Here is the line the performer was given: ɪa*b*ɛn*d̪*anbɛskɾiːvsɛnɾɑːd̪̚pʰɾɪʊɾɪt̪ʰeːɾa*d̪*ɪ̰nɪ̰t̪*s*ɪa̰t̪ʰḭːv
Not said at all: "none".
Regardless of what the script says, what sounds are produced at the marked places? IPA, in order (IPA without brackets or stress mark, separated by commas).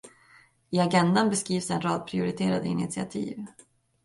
ɡ, d̪, d̪, s